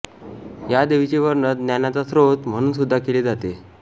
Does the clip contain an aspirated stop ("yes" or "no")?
no